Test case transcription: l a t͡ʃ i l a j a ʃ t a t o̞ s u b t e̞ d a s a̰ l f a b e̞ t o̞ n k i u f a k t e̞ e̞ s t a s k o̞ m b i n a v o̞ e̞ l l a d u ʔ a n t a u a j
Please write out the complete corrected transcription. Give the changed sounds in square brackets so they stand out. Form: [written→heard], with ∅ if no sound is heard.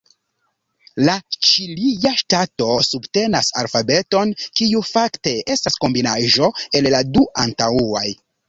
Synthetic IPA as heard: l a t͡ʃ i l [a→i] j a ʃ t a t o̞ s u b t e̞ [d→n] a s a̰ l f a b e̞ t o̞ n k i u f a k t e̞ e̞ s t a s k o̞ m b i n a [v→ʒ] o̞ e̞ l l a d u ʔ a n t a u a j